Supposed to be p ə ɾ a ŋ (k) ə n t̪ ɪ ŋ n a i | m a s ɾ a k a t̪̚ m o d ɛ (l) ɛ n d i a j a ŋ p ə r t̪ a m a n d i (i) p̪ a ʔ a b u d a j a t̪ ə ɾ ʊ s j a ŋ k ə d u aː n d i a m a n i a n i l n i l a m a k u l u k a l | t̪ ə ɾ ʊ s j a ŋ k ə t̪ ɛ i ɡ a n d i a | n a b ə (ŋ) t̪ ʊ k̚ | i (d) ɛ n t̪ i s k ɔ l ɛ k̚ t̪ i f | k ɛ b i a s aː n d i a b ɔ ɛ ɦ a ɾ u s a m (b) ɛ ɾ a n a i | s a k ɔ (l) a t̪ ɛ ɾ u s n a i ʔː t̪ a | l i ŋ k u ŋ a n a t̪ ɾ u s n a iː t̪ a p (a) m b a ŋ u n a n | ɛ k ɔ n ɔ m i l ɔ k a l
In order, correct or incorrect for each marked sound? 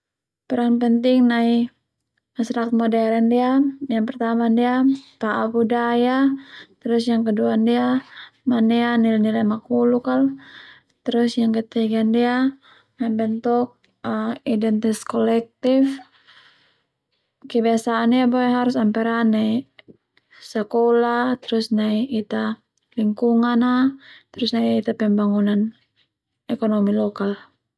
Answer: incorrect: p, incorrect: ɾ, incorrect: a, incorrect: n, correct, incorrect: p, correct, incorrect: ɛ

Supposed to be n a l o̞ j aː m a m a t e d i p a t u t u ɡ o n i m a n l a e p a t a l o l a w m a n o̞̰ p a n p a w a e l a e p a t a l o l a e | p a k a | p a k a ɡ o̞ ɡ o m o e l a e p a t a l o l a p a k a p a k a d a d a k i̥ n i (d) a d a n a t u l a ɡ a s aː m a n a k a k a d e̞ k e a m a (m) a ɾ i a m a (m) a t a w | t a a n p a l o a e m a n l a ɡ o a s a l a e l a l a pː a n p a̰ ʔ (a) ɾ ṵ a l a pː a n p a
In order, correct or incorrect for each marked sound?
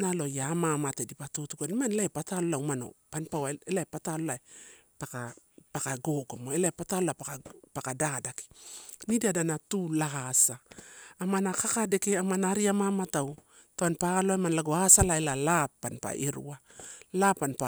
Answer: correct, incorrect: n, correct, incorrect: e

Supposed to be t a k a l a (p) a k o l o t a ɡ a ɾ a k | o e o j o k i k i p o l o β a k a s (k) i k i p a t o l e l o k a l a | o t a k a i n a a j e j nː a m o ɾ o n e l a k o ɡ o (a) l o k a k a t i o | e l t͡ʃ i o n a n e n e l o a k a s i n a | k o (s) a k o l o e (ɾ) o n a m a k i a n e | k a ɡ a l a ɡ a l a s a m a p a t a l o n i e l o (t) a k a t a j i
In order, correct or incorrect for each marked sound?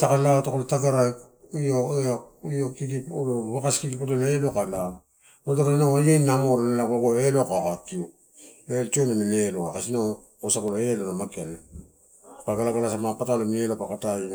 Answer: incorrect: t, correct, incorrect: e, correct, incorrect: l, incorrect: p

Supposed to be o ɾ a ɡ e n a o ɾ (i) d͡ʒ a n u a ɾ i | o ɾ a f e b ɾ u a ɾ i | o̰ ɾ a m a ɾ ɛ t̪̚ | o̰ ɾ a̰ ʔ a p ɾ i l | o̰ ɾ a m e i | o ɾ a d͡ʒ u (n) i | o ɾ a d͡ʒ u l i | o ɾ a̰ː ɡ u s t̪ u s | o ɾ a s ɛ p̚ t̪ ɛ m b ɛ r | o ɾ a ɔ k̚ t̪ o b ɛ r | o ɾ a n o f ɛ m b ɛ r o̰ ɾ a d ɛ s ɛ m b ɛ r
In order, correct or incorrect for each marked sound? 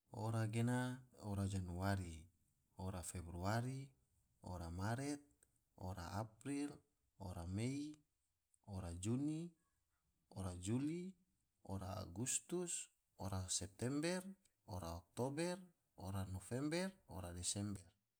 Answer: incorrect: a, correct

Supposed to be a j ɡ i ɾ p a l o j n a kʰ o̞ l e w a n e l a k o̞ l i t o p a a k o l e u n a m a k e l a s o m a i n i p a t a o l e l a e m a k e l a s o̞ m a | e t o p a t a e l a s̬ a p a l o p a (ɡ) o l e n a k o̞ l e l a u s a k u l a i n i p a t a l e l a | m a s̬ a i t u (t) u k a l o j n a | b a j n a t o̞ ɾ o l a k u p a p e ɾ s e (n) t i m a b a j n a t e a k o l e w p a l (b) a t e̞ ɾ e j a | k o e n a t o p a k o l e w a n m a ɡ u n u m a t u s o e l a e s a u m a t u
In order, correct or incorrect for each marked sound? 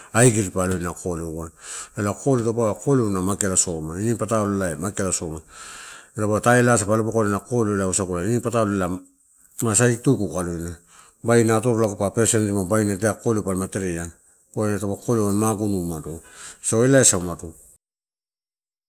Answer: incorrect: k, incorrect: k, correct, incorrect: m

